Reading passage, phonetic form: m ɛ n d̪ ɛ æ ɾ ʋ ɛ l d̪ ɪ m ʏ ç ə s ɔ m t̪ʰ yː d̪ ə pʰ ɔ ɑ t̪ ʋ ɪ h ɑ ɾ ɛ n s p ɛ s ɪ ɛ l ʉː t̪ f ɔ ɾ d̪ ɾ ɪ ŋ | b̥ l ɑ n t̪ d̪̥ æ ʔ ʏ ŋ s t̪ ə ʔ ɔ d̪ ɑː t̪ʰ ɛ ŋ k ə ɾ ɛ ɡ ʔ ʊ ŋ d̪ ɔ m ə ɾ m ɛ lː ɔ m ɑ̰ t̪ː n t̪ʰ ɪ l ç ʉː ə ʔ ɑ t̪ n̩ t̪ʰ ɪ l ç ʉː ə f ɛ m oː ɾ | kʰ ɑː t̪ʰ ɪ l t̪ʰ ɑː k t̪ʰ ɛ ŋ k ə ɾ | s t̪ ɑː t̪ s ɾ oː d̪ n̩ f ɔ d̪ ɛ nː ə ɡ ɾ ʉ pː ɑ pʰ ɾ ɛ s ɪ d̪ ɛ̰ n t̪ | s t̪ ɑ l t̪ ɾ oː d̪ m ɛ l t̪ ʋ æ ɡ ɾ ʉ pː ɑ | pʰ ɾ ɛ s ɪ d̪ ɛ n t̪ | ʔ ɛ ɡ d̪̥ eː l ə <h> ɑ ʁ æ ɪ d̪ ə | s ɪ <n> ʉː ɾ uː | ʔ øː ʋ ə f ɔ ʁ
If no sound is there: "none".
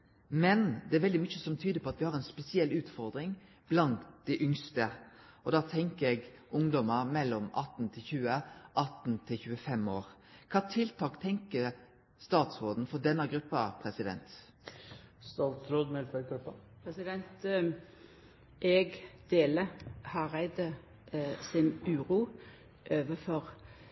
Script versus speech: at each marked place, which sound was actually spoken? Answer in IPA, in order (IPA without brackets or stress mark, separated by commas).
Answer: h, n